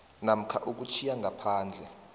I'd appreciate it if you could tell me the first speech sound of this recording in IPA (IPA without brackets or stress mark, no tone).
n